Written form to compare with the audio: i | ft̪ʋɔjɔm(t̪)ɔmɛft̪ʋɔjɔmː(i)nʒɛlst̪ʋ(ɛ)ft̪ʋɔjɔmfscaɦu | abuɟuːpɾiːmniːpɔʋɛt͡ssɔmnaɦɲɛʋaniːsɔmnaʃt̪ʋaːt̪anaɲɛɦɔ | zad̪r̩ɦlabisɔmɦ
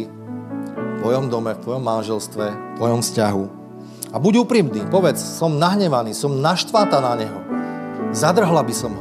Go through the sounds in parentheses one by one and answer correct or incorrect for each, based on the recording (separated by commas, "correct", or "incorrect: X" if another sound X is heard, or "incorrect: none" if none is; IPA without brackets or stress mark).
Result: incorrect: d̪, incorrect: a, correct